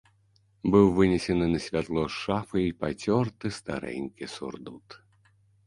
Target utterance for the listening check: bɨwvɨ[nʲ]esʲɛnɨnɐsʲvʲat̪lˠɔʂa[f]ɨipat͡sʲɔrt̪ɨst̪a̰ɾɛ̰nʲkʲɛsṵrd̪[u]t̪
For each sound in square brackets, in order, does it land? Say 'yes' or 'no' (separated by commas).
yes, yes, yes